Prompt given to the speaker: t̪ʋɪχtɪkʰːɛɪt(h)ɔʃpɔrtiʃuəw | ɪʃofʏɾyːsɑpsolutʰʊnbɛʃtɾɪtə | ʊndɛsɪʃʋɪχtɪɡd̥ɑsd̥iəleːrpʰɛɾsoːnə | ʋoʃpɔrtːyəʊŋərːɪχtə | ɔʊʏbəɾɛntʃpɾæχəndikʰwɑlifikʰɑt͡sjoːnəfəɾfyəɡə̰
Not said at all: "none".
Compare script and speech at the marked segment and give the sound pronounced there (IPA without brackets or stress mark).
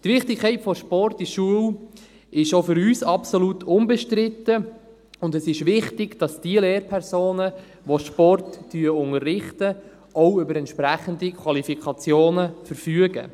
f